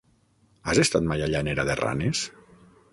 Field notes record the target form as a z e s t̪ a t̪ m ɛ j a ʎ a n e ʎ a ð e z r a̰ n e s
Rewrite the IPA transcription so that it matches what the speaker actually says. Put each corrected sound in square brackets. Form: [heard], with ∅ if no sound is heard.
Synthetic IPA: a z e s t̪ a t̪ m [a] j a ʎ a n e [ɾ] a ð e [∅] r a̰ n e s